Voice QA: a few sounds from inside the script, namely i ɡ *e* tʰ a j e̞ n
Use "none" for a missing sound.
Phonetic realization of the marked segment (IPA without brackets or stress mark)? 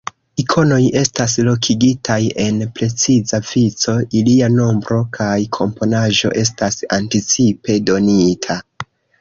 i